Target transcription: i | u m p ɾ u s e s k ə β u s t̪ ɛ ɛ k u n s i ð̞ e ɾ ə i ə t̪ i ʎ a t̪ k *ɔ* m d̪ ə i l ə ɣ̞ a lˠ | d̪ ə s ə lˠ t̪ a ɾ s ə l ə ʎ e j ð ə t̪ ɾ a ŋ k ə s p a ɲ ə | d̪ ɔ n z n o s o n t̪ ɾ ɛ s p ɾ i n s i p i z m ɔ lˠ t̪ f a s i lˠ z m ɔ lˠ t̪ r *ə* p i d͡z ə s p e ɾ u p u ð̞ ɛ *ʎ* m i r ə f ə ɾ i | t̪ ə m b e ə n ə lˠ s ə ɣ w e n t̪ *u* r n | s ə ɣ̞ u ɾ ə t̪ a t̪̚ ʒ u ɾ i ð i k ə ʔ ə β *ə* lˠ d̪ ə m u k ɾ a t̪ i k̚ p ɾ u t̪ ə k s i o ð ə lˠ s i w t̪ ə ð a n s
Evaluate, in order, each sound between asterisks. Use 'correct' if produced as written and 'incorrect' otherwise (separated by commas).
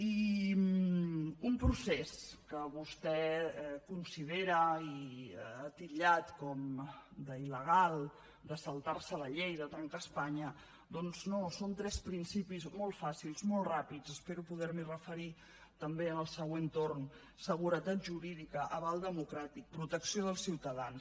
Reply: correct, incorrect, incorrect, incorrect, incorrect